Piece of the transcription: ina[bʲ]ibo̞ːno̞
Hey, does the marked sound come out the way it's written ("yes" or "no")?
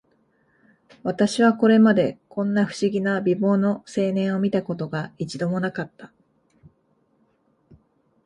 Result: yes